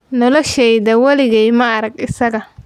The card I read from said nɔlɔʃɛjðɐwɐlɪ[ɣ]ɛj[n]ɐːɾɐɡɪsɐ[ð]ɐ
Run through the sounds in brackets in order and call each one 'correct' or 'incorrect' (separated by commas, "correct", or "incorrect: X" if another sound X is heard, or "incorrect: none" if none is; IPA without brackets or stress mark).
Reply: correct, incorrect: m, incorrect: ɣ